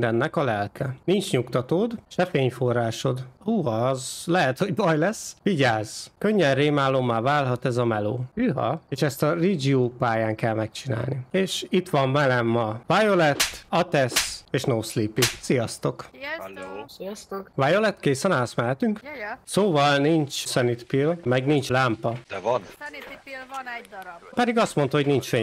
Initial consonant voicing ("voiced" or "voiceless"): voiced